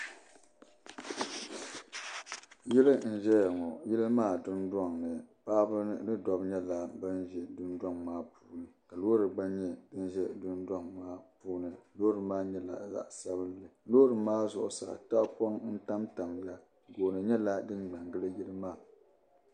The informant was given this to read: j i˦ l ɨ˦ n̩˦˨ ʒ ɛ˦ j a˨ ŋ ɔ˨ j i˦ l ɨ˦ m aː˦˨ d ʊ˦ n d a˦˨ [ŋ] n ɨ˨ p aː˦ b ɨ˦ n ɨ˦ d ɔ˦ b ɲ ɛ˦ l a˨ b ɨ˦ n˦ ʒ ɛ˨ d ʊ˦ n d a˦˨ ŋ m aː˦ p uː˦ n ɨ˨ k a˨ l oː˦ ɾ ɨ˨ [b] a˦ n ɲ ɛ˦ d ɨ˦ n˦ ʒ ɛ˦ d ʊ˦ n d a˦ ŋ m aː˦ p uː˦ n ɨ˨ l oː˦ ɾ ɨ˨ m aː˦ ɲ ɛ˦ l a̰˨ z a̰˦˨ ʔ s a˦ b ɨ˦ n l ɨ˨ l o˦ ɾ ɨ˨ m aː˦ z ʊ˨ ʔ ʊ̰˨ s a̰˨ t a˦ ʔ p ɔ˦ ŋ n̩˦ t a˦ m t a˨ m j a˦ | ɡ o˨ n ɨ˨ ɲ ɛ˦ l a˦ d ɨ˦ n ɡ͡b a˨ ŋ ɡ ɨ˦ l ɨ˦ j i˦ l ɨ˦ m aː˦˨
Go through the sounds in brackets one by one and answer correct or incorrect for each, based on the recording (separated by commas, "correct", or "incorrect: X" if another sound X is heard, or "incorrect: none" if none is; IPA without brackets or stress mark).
correct, incorrect: ɡ͡b